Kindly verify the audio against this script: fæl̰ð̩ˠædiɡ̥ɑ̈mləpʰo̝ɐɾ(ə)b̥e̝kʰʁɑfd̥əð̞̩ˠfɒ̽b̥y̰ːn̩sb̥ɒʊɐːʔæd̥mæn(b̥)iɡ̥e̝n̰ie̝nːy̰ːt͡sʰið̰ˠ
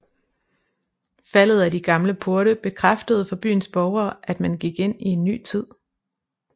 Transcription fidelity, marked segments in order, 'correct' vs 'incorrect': correct, incorrect: ɡ̥

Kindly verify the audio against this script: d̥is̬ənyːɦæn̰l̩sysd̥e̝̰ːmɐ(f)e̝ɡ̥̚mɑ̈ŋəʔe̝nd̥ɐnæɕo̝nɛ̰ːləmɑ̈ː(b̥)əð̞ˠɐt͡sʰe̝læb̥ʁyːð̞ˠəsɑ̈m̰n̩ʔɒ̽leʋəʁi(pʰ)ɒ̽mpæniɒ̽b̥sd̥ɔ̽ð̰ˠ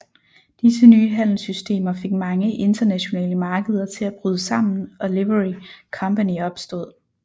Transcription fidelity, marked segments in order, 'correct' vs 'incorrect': correct, incorrect: ɡ̥, incorrect: kʰ

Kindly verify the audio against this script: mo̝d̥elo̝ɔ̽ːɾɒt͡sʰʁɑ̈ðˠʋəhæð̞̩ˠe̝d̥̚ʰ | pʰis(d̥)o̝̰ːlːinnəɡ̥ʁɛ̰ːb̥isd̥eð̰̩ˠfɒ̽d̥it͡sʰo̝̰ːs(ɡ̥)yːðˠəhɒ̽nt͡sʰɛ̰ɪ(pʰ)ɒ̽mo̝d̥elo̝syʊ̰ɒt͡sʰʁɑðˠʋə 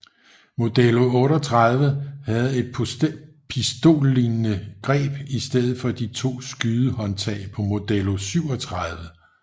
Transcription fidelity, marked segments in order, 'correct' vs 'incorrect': correct, correct, correct

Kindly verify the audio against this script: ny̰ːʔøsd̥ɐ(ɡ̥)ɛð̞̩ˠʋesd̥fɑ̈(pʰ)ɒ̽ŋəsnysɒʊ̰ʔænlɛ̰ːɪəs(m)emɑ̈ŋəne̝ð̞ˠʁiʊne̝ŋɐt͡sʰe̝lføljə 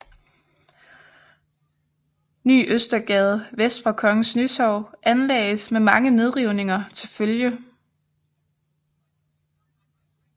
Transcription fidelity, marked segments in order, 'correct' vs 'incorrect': correct, incorrect: kʰ, correct

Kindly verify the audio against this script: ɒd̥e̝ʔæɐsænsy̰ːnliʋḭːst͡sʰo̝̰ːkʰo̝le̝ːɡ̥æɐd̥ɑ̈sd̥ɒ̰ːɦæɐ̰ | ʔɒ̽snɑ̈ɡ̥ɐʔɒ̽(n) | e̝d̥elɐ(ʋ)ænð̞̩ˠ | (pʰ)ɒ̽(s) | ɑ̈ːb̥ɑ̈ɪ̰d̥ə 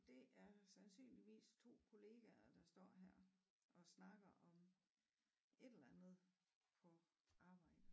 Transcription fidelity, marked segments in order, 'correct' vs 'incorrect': incorrect: m, incorrect: none, correct, incorrect: none

